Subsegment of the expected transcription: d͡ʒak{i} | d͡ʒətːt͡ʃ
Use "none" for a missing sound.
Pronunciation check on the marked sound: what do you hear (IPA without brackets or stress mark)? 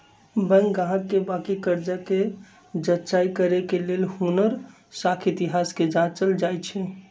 e